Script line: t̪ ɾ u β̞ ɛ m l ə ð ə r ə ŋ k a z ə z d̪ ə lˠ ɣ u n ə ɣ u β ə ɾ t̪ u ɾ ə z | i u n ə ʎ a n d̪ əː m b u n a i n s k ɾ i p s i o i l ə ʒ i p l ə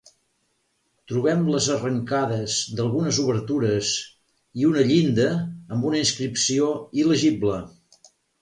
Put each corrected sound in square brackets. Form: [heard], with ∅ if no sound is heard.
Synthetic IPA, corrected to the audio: t̪ ɾ u β̞ ɛ m l ə [z] ə r ə ŋ k a [ð] ə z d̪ ə lˠ ɣ u n ə [z] u β ə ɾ t̪ u ɾ ə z | i u n ə ʎ [i] n d̪ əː m b u n [ə] i n s k ɾ i p s i o i l ə ʒ i [b] l ə